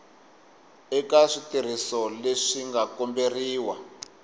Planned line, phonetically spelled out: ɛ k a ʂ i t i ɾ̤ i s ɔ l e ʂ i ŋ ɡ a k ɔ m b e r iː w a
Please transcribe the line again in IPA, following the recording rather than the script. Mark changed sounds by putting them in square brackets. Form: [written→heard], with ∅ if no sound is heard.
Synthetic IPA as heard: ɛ k a ʂ i t i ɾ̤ i s ɔ l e ʂ i ŋ ɡ a k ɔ m b e r iː w a